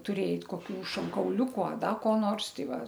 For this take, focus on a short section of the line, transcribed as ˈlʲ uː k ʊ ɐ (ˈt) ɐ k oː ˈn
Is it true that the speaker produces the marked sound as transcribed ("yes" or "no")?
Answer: no